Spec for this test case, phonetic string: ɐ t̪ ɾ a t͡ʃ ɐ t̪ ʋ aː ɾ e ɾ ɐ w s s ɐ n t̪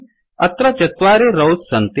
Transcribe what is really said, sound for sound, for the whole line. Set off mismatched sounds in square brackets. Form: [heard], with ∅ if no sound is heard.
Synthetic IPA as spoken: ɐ t̪ ɾ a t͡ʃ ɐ t̪ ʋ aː ɾ e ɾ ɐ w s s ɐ n t̪